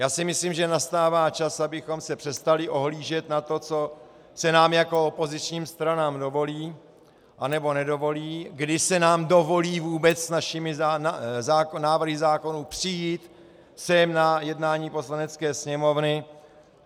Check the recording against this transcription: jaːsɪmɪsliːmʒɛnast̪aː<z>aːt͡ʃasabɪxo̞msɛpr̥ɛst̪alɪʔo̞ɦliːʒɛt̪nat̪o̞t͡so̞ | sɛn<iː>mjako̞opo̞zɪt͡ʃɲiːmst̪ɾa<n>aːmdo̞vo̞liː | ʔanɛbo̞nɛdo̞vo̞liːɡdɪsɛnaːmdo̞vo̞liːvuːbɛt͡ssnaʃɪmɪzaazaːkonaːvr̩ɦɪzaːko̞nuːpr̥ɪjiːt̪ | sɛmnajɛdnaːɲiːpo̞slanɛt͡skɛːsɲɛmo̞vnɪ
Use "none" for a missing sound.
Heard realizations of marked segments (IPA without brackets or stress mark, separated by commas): v, aː, n